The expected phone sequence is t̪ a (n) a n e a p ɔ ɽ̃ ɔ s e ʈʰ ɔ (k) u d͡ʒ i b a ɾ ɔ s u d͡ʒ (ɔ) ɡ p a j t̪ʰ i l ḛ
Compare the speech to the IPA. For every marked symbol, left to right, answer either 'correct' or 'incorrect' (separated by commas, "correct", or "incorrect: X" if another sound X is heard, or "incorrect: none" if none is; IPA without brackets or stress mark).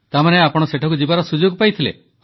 incorrect: m, correct, incorrect: o